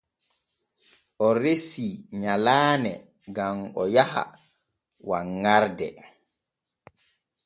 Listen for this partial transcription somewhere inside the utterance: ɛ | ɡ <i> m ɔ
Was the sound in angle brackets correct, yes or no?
no